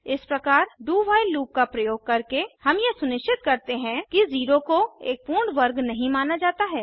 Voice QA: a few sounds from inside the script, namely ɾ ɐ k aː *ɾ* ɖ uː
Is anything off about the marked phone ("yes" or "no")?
no